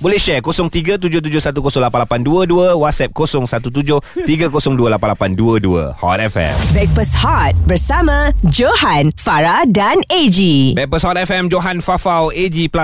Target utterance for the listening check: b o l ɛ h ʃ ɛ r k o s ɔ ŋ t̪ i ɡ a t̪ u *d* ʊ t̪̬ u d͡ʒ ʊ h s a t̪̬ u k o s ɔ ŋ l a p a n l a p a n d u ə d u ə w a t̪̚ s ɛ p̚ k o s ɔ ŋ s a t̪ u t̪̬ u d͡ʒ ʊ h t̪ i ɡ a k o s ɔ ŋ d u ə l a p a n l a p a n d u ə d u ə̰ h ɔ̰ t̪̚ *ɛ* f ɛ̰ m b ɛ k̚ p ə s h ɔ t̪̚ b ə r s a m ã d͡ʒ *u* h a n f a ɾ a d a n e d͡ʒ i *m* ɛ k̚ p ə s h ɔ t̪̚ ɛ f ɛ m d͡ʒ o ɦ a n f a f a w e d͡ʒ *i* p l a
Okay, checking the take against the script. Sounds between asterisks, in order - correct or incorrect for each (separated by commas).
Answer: incorrect, correct, incorrect, incorrect, correct